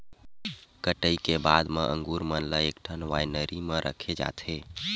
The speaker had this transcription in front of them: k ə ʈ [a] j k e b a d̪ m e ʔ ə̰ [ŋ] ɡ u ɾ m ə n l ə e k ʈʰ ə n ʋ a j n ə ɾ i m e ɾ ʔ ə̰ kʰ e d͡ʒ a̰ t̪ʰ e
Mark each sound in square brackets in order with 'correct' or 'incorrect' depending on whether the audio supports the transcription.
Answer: incorrect, correct

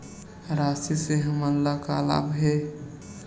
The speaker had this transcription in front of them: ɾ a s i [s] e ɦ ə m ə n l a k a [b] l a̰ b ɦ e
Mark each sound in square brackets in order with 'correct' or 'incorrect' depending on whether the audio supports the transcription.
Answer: correct, incorrect

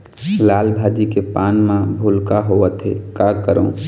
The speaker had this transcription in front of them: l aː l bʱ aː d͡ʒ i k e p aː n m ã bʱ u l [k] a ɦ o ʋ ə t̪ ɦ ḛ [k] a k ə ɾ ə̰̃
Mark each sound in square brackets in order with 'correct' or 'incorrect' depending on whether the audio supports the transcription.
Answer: correct, correct

